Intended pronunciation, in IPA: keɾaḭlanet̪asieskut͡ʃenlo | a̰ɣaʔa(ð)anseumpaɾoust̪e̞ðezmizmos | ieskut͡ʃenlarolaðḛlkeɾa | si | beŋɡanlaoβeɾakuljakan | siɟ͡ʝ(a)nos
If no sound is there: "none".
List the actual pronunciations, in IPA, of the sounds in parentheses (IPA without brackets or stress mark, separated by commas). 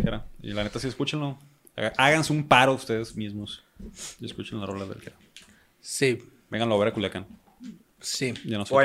ɣ, a